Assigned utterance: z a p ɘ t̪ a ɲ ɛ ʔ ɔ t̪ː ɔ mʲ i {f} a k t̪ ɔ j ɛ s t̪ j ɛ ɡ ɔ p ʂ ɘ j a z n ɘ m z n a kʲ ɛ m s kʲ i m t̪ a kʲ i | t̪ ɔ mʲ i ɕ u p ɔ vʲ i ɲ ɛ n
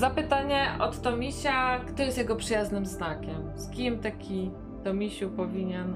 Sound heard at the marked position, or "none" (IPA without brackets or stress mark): ɕ